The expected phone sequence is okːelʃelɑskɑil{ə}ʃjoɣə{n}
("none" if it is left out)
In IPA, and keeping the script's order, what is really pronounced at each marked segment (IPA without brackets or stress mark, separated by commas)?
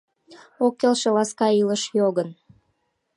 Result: ə, n